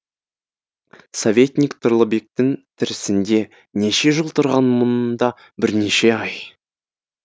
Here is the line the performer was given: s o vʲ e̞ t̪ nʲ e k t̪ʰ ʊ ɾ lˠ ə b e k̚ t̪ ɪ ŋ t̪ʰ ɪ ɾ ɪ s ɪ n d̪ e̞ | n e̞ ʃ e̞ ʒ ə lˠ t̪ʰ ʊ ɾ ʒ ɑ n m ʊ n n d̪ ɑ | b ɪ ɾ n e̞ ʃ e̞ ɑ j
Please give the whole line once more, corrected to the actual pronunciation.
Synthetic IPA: s o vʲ e̞ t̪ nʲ i k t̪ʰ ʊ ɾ lˠ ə b e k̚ t̪ ɪ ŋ t̪ʰ ɪ ɾ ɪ s ɪ n d̪ e̞ | n e̞ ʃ e̞ ʒ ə lˠ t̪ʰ ʊ ɾ ʁ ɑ n m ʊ n n d̪ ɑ | b ɪ ɾ n e̞ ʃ e̞ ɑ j